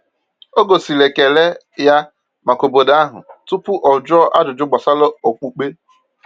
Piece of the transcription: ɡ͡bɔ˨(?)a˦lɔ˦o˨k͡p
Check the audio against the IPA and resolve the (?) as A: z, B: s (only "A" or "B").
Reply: B